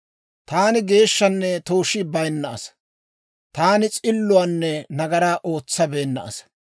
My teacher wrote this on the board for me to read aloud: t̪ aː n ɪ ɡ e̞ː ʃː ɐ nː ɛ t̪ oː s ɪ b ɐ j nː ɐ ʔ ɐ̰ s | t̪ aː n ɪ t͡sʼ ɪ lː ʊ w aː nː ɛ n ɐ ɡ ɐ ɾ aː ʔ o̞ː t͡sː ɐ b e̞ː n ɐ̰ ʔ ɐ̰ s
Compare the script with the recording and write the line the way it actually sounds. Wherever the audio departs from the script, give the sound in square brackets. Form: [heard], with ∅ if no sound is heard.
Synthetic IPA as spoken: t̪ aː n ɪ ɡ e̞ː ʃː ɐ nː ɛ t̪ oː [ʃ] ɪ b ɐ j nː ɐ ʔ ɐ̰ s | t̪ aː n ɪ t͡sʼ ɪ lː ʊ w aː nː ɛ n ɐ ɡ ɐ ɾ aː ʔ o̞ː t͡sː ɐ b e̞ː [nː] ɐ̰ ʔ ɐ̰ s